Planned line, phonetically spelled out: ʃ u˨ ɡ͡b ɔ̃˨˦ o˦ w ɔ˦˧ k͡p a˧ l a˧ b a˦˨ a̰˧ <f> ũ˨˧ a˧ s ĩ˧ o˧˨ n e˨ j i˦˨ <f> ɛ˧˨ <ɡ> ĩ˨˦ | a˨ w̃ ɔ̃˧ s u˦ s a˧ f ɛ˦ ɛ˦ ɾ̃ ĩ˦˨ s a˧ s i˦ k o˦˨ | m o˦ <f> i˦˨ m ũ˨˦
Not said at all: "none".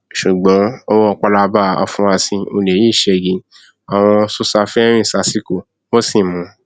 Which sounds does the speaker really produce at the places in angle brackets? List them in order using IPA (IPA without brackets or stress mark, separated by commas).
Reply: f, ʃ, ɡ, s